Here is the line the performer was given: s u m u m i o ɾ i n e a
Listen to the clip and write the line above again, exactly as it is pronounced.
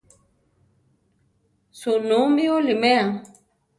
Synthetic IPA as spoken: s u n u m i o l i m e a